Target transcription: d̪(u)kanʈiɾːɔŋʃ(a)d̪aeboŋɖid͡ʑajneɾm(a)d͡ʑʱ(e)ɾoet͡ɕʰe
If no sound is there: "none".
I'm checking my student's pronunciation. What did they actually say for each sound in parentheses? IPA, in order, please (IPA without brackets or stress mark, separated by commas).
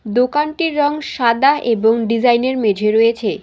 o, a, e, e